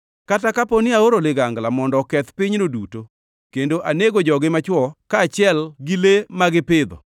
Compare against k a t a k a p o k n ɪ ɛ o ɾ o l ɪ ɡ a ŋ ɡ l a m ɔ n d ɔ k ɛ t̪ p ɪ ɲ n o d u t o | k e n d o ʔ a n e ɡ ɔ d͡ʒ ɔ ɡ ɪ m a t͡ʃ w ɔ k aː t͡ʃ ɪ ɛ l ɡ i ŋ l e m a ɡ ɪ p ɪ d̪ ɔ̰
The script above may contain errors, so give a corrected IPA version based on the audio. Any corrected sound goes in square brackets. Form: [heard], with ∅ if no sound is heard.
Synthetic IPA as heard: k a t a k a p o [∅] n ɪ [a] o ɾ o l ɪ ɡ a ŋ ɡ l a m ɔ n d ɔ k ɛ t̪ p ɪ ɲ n o d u t o | k e n d o ʔ a n e ɡ [o] d͡ʒ ɔ ɡ ɪ m a t͡ʃ w ɔ k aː t͡ʃ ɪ ɛ l ɡ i [∅] l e m a ɡ ɪ p ɪ d̪ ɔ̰